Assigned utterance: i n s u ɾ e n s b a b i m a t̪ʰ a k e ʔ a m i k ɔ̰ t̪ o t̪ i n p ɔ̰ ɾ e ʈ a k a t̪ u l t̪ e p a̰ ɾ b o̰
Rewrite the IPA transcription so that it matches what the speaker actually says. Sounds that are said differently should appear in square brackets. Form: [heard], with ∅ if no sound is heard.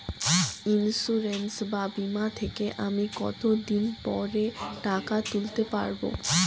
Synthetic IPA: i n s u ɾ e n s b a b i m a t̪ʰ [e] k e ʔ a m i k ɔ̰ t̪ o [d̪] i n p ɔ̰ ɾ e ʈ a k a t̪ u l t̪ e p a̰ ɾ b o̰